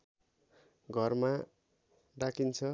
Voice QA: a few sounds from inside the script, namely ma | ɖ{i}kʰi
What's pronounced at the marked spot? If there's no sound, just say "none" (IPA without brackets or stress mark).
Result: a